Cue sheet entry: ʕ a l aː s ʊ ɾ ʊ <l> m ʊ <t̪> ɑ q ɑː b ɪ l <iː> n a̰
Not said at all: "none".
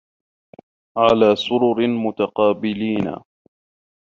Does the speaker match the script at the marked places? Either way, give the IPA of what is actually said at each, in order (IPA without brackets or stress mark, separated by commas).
ɾ, t̪, iː